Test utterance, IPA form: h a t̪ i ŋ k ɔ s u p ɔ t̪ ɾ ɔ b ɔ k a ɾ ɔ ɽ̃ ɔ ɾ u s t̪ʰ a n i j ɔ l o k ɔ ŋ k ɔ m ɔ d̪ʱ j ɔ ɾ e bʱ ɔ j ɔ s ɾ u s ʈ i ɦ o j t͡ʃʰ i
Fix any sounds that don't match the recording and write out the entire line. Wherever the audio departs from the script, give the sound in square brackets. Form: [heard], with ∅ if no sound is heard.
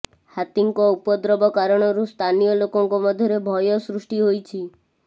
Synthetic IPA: h a t̪ i ŋ k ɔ [∅] u p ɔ [d̪] ɾ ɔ b ɔ k a ɾ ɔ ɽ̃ ɔ ɾ u s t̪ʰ a n i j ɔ l o k ɔ ŋ k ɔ m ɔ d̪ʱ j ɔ ɾ e bʱ ɔ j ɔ s ɾ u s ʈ i ɦ o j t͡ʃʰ i